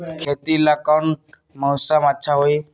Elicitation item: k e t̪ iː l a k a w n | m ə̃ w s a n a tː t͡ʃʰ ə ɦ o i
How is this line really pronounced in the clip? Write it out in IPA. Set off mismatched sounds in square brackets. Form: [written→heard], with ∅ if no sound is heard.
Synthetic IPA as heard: [k→kʰ] e t̪ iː l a k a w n | m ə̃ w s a [n→m] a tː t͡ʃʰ [ə→a] ɦ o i